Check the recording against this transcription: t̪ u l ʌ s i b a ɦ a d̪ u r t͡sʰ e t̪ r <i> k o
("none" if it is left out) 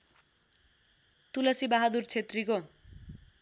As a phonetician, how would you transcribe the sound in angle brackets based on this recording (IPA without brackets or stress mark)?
i